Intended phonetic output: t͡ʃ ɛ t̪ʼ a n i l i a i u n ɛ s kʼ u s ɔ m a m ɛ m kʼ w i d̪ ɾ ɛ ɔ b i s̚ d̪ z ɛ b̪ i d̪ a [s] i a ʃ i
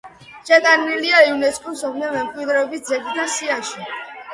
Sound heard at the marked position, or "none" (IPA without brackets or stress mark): s